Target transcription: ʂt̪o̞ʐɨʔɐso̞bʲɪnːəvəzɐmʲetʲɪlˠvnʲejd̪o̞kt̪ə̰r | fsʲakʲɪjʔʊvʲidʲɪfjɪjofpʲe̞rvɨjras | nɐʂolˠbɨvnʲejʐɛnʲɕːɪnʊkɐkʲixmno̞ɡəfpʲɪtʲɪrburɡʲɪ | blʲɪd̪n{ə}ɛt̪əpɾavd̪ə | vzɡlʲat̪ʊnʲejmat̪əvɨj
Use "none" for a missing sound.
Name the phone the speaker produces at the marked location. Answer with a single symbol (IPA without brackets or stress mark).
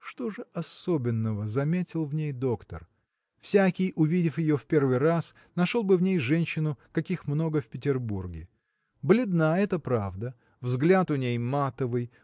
a